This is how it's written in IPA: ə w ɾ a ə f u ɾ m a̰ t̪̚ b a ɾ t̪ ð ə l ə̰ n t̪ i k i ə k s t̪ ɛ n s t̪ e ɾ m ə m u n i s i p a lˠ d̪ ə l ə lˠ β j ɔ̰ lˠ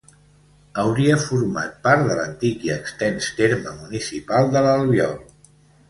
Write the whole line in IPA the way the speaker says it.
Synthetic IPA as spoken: ə w ɾ i ə f u ɾ m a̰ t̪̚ p a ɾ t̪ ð ə l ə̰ n t̪ i k i ə k s t̪ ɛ n s t̪ e ɾ m ə m u n i s i p a lˠ d̪ ə l ə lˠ β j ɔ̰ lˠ